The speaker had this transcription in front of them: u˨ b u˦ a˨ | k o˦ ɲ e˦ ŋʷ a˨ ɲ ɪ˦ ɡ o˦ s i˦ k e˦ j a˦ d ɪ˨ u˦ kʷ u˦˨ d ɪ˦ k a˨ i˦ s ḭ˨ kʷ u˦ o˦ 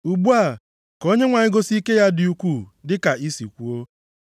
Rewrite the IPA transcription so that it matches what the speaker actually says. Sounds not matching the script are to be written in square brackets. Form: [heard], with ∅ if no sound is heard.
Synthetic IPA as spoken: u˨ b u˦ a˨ | k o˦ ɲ e˦ ŋʷ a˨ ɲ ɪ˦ ɡ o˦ s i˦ k e˦ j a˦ d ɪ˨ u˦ kʷ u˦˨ d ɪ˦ k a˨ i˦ s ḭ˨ kʷ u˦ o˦

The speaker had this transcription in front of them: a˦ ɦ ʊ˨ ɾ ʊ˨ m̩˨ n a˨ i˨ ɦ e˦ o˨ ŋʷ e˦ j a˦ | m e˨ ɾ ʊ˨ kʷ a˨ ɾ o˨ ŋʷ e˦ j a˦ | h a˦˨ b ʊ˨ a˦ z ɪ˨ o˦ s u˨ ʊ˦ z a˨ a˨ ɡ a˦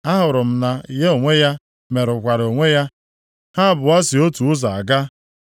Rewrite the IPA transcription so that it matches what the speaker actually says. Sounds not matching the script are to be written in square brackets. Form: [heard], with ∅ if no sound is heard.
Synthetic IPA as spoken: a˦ ɦ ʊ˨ ɾ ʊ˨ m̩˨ n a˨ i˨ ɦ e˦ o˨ ŋʷ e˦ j a˦ | m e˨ ɾ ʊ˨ kʷ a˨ ɾ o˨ ŋʷ e˦ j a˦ | h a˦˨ b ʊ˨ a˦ [s] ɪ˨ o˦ [t] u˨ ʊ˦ z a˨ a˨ ɡ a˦

